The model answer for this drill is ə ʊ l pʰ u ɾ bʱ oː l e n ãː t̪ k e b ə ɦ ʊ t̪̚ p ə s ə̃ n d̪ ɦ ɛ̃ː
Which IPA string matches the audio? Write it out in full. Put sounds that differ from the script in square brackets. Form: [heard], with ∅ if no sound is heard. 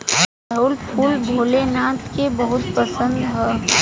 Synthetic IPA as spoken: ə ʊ l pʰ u [l] bʱ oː l e n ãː t̪ k e b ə ɦ ʊ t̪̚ p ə s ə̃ n d̪ ɦ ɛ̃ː